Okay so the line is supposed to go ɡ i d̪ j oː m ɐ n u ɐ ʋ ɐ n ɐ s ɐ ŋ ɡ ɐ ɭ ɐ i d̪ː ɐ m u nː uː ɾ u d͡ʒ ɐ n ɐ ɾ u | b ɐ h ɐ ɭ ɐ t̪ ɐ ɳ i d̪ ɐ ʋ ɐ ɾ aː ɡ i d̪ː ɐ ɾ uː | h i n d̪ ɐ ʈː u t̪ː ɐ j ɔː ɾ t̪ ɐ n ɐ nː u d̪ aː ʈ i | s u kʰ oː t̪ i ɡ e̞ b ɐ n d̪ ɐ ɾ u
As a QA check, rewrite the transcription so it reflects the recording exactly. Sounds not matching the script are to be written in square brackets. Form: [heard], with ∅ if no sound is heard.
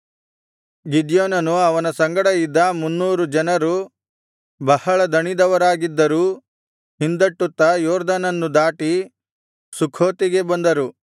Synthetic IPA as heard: ɡ i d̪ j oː [n] ɐ n u ɐ ʋ ɐ n ɐ s ɐ ŋ ɡ ɐ [ɽ] ɐ i d̪ː ɐ m u nː uː ɾ u d͡ʒ ɐ n ɐ ɾ u | b ɐ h ɐ ɭ ɐ [d̪] ɐ ɳ i d̪ ɐ ʋ ɐ ɾ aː ɡ i d̪ː ɐ ɾ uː | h i n d̪ ɐ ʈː u t̪ː ɐ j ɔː ɾ [d̪] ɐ n ɐ nː u d̪ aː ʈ i | s u kʰ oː t̪ i ɡ e̞ b ɐ n d̪ ɐ ɾ u

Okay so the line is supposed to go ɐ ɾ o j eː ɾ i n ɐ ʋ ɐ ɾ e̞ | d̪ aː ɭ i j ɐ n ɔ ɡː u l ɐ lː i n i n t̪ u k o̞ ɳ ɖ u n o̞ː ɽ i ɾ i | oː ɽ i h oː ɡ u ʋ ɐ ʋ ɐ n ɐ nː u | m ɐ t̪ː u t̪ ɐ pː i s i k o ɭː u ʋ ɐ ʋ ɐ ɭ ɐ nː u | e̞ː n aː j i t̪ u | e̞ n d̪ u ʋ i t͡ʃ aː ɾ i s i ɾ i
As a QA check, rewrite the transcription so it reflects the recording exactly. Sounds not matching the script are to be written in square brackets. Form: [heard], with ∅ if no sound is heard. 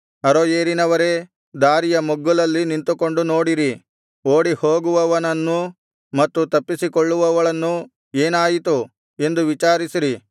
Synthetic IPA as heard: ɐ ɾ o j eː ɾ i n ɐ ʋ ɐ ɾ e̞ | d̪ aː [ɾ] i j ɐ [m] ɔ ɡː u l ɐ lː i n i n t̪ u k o̞ ɳ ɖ u n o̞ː ɽ i ɾ i | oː ɽ i h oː ɡ u ʋ ɐ ʋ ɐ n ɐ nː u | m ɐ t̪ː u t̪ ɐ pː i s i k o ɭː u ʋ ɐ ʋ ɐ ɭ ɐ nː u | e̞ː n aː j i t̪ u | e̞ n d̪ u ʋ i t͡ʃ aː ɾ i s i ɾ i

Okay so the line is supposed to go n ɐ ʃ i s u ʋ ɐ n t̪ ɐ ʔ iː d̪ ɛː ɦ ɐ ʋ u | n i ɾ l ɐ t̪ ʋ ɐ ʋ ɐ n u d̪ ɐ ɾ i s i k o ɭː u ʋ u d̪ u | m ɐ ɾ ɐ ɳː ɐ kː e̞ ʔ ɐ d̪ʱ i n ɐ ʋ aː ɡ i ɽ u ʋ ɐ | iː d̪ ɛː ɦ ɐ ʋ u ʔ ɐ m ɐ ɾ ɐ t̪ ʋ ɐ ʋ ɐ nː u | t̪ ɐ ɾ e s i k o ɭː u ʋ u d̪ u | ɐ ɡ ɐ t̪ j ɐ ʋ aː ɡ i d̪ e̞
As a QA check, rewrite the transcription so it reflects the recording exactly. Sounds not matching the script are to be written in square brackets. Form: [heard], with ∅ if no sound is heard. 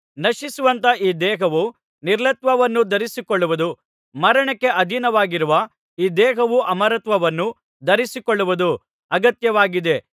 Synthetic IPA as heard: n ɐ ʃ i s u ʋ ɐ n t̪ ɐ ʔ iː d̪ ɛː ɦ ɐ ʋ u | n i ɾ l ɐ t̪ ʋ ɐ ʋ ɐ [nː] u d̪ ɐ ɾ i s i k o ɭː u ʋ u d̪ u | m ɐ ɾ ɐ [ɳ] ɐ kː e̞ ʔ ɐ d̪ʱ i n ɐ ʋ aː ɡ i [ɾ] u ʋ ɐ | iː d̪ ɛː ɦ ɐ ʋ u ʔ ɐ m ɐ ɾ ɐ t̪ ʋ ɐ ʋ ɐ nː u | [d̪] ɐ ɾ [i] s i k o ɭː u ʋ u d̪ u | ɐ ɡ ɐ t̪ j ɐ ʋ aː ɡ i d̪ e̞

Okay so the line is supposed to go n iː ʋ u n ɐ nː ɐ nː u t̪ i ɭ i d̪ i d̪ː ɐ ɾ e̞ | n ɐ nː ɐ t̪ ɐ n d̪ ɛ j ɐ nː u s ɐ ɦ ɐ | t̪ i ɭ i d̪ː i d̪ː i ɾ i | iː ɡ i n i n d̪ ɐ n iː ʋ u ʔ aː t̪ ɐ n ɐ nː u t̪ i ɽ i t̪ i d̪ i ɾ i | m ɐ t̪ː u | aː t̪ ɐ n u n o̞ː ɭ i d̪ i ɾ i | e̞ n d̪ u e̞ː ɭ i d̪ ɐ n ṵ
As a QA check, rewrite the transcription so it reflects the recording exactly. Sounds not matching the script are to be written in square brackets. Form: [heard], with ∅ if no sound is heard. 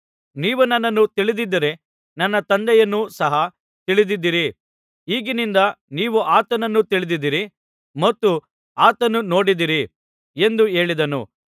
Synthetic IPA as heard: n iː ʋ u n ɐ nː ɐ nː u t̪ i ɭ i d̪ i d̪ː ɐ ɾ e̞ | n ɐ nː ɐ t̪ ɐ n d̪ ɛ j ɐ nː u s ɐ ɦ ɐ | t̪ i ɭ i [d̪] i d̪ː i ɾ i | iː ɡ i n i n d̪ ɐ n iː ʋ u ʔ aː t̪ ɐ n ɐ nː u t̪ i [ɭ] i [d̪] i d̪ i ɾ i | m ɐ t̪ː u | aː t̪ ɐ n u n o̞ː [ɽ] i d̪ i ɾ i | e̞ n d̪ u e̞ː ɭ i d̪ ɐ n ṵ

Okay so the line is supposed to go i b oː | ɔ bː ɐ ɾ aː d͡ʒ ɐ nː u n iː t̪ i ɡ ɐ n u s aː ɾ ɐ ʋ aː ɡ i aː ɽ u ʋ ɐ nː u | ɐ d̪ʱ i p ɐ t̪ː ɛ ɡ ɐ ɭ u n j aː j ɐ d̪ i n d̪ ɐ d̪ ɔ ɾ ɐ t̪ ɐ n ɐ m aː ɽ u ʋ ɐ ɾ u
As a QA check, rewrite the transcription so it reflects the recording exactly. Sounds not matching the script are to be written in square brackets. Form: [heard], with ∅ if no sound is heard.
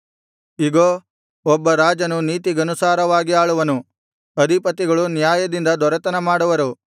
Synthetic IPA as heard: i [ɡ] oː | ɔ bː ɐ ɾ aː d͡ʒ ɐ [n] u n iː t̪ i ɡ ɐ n u s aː ɾ ɐ ʋ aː ɡ i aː [ɭ] u ʋ ɐ [n] u | ɐ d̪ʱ i p ɐ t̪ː [i] ɡ ɐ ɭ u n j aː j ɐ d̪ i n d̪ ɐ d̪ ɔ ɾ ɐ t̪ ɐ n ɐ m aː ɽ u ʋ ɐ ɾ u

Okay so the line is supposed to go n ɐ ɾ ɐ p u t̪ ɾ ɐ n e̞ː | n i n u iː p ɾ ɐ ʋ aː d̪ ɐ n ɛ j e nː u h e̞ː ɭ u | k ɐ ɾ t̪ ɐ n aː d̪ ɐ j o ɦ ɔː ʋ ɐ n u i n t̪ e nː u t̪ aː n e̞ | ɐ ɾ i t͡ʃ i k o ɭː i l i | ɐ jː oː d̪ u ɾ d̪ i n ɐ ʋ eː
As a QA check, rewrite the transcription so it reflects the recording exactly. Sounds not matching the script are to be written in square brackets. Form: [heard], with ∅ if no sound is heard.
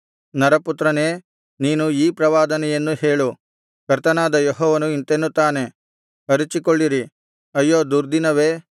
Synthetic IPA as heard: n ɐ ɾ ɐ p u t̪ ɾ ɐ n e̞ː | n [iː] n u iː p ɾ ɐ ʋ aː d̪ ɐ n ɛ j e nː u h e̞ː ɭ u | k ɐ ɾ t̪ ɐ n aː d̪ ɐ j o ɦ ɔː ʋ ɐ n u i n t̪ e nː u t̪ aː n e̞ | ɐ ɾ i t͡ʃ i k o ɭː i [ɾ] i | ɐ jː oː d̪ u ɾ d̪ i n ɐ ʋ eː

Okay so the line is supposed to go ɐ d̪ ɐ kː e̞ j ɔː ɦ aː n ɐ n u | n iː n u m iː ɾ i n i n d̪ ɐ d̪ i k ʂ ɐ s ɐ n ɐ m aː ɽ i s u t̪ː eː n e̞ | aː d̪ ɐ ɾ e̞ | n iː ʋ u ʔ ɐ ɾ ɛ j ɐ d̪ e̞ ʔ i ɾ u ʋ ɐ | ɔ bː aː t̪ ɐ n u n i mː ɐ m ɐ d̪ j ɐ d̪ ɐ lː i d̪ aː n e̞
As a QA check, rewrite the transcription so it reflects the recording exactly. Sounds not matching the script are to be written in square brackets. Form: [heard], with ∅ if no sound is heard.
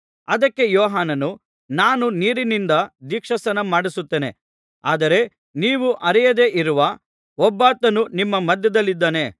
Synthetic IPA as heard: ɐ d̪ ɐ kː e̞ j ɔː ɦ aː n ɐ n u | n [aː] n u [n] iː ɾ i n i n d̪ ɐ d̪ i k ʂ ɐ s ɐ n ɐ m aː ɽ i s u t̪ː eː n e̞ | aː d̪ ɐ ɾ e̞ | n iː ʋ u ʔ ɐ ɾ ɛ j ɐ d̪ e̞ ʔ i ɾ u ʋ ɐ | ɔ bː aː t̪ ɐ n u n i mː ɐ m ɐ d̪ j ɐ d̪ ɐ lː i [d̪ː] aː n e̞

